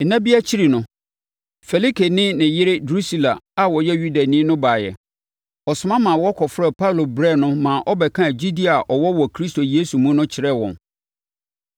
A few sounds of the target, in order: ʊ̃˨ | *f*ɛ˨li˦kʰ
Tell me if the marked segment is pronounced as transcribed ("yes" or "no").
yes